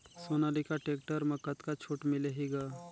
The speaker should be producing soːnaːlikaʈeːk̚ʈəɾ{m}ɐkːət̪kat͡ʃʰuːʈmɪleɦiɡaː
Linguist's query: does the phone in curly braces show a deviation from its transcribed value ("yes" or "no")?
no